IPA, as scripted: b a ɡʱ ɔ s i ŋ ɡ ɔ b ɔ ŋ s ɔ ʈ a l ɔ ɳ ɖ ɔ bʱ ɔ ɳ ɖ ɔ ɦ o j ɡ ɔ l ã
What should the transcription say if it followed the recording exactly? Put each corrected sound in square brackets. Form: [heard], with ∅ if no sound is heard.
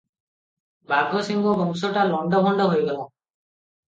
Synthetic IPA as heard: b a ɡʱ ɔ s i ŋ ɡ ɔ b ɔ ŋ s ɔ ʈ a l ɔ ɳ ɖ ɔ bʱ ɔ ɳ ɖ ɔ ɦ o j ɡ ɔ l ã